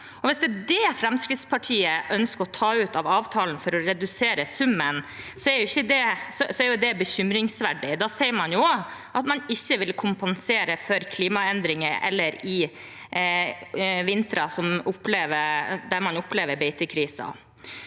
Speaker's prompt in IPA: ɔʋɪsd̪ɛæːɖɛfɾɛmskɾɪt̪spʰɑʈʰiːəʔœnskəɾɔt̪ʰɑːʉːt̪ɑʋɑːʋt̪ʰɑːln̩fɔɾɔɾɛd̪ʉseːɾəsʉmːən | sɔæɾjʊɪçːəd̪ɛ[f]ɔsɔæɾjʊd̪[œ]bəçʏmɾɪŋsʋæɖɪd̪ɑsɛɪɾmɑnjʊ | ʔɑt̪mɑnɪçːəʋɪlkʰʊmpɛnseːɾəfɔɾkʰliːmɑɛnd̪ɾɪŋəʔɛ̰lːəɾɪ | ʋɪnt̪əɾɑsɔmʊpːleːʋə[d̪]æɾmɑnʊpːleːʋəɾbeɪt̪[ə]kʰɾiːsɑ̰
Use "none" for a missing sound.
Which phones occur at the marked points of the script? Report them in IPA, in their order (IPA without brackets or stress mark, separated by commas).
s, ɛ, d̪, ə